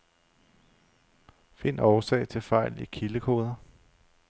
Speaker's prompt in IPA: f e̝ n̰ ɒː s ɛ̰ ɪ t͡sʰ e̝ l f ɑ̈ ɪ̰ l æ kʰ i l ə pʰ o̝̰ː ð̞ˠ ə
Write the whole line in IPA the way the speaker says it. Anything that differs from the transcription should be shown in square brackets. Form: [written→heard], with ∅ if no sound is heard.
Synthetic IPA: f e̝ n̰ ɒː s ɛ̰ ɪ t͡sʰ e̝ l f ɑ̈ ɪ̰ l [æ→i] kʰ i l ə [pʰ→kʰ] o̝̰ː ð̞ˠ [ə→ɐ]